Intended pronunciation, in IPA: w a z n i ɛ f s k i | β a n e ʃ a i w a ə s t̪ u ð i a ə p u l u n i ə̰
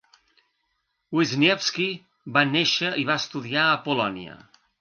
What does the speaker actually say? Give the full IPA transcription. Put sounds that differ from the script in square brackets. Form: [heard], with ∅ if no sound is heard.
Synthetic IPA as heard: w [i] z n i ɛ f s k i | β a n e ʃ [ə] i [β] a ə s t̪ u ð i a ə p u l [ɔ] n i ə̰